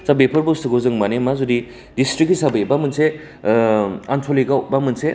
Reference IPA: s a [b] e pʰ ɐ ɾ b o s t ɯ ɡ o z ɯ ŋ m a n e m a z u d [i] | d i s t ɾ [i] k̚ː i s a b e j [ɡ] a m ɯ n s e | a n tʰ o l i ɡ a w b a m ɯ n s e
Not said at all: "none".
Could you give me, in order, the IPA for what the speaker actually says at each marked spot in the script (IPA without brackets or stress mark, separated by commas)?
b, i, i, b